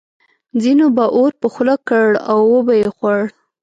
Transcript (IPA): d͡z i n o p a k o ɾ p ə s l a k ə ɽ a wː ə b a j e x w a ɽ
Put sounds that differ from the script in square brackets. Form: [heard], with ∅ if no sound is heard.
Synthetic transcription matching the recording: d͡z i n o [b] a [ʔ] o ɾ p ə [x] l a k ə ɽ a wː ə b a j e x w a ɽ